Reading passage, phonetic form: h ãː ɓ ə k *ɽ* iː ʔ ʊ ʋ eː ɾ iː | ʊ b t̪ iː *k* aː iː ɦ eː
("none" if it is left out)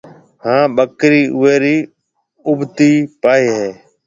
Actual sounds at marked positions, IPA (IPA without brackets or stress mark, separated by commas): ɾ, p